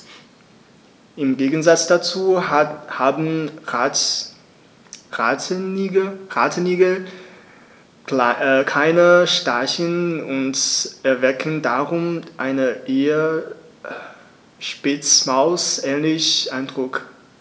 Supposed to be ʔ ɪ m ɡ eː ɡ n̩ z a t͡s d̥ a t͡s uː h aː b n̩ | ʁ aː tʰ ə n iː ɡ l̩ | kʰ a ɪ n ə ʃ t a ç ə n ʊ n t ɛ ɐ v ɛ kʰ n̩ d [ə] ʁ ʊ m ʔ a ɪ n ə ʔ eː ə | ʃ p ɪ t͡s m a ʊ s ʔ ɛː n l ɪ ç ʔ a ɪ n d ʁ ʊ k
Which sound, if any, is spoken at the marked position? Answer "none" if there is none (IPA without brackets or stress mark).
a